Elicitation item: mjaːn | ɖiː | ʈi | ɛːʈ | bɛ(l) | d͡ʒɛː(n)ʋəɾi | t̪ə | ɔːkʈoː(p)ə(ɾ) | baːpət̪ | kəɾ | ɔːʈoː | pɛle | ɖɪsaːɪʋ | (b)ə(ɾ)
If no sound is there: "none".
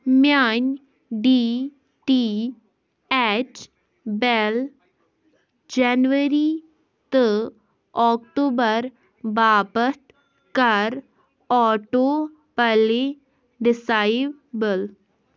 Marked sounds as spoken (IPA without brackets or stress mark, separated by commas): l, n, b, ɾ, b, l